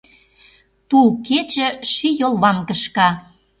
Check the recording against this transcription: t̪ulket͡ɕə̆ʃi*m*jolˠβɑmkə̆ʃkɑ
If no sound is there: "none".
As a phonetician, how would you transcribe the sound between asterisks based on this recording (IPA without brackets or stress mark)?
none